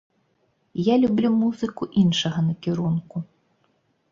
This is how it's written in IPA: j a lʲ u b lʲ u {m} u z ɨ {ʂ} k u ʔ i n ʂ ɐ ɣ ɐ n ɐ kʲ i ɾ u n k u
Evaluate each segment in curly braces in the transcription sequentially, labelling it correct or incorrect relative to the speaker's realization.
correct, incorrect

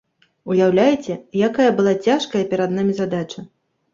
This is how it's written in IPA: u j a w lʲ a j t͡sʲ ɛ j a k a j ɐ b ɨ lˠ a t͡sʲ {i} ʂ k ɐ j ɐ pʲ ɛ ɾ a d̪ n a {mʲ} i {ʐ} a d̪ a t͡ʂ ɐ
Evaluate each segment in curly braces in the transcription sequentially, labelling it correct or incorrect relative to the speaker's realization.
incorrect, correct, incorrect

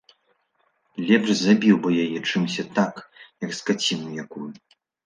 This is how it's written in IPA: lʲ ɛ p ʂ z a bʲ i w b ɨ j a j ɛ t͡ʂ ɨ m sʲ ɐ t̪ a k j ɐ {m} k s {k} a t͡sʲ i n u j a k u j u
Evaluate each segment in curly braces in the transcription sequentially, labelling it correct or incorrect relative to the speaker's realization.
incorrect, correct

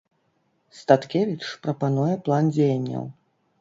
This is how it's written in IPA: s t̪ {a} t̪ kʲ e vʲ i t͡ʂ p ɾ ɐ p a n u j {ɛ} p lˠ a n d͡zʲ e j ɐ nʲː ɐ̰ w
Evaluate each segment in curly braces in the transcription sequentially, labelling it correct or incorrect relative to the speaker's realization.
correct, correct

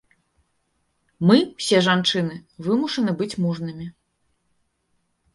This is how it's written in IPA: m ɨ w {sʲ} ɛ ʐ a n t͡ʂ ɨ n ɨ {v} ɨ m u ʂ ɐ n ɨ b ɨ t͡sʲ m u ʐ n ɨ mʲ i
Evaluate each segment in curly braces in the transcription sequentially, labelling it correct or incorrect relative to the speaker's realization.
correct, correct

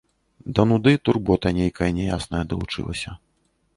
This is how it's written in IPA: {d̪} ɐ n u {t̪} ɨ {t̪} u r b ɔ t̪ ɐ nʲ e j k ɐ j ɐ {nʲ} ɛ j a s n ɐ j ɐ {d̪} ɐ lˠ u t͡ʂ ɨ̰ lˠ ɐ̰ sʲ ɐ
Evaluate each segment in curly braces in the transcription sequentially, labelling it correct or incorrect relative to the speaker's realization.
correct, incorrect, correct, correct, correct

